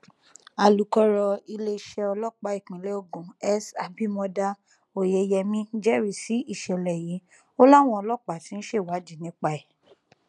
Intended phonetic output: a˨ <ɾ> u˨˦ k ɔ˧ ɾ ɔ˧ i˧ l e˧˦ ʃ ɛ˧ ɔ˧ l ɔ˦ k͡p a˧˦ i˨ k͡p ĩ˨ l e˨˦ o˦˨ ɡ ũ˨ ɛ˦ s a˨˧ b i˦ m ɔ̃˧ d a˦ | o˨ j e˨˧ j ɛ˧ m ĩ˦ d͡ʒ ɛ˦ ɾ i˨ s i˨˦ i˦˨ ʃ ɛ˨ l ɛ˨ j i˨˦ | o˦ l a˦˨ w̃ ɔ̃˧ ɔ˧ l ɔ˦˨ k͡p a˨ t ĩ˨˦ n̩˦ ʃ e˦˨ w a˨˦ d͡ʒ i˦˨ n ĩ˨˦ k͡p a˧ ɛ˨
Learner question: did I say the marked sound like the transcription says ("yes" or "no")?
no